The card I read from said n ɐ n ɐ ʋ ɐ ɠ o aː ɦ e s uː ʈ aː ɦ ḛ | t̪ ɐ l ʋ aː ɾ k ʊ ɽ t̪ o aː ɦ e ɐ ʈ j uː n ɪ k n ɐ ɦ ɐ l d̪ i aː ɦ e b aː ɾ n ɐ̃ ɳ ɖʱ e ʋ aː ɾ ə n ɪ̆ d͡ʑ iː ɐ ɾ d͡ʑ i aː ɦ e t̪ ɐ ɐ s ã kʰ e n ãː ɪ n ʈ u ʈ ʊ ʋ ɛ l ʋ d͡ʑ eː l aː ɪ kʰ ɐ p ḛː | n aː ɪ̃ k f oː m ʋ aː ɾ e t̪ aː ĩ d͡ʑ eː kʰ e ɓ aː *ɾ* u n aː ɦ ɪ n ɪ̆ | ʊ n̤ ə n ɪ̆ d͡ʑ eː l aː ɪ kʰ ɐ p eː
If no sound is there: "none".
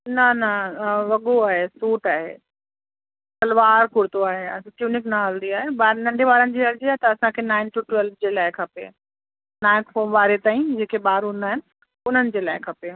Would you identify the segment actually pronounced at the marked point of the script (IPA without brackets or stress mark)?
ɾ